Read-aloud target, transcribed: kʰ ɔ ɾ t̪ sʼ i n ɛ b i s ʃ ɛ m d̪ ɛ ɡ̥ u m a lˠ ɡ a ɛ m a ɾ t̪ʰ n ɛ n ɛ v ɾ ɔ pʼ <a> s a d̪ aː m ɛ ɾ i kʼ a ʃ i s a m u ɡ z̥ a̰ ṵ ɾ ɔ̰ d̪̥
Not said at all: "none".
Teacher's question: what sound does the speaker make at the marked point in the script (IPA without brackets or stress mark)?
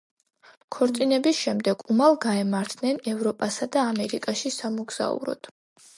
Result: a